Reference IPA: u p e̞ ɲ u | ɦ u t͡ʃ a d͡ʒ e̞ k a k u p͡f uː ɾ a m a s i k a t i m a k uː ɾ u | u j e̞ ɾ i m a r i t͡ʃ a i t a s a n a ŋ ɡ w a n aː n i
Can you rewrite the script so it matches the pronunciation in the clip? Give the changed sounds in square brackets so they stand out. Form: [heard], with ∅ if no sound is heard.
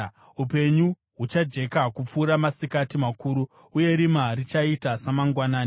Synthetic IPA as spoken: u p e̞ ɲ u | ɦ u t͡ʃ a d͡ʒ e̞ k a k u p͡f uː ɾ a m a s i k a t i m a k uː ɾ u | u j e̞ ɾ i m a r i t͡ʃ a i t a s a [m] a ŋ ɡ w a n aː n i